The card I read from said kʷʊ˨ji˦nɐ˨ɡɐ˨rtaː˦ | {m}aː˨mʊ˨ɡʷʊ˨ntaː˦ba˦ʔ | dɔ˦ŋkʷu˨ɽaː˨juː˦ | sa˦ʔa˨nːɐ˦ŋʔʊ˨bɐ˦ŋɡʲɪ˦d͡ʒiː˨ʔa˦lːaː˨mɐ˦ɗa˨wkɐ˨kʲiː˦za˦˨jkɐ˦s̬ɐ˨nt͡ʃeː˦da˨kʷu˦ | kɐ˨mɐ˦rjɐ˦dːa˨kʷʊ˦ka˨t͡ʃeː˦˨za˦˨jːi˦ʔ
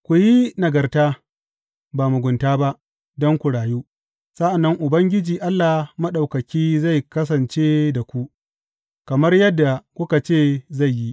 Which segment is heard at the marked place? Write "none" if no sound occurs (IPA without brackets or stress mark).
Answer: b